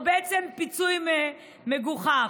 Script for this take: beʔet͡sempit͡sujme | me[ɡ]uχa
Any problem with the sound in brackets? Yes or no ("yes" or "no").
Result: no